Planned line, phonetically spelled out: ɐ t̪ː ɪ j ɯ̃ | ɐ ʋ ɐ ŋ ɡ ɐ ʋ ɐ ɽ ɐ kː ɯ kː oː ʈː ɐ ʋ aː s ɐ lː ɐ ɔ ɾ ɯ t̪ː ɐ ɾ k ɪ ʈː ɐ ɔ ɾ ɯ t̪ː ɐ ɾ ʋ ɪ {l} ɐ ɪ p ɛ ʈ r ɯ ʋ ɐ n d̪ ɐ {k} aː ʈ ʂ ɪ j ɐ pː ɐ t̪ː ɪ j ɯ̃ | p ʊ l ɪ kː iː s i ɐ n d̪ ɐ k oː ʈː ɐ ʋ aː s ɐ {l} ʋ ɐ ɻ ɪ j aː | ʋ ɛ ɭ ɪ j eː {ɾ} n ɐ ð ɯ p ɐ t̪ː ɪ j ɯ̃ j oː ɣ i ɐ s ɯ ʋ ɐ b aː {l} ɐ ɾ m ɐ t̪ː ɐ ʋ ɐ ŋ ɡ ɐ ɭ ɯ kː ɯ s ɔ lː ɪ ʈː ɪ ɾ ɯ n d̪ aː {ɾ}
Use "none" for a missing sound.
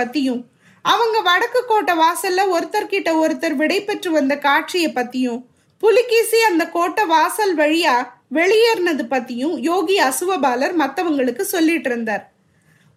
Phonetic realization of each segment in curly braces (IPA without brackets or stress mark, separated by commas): ɽ, k, l, ɾ, l, ɾ